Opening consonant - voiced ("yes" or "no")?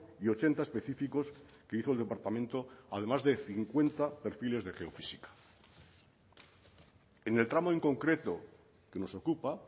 no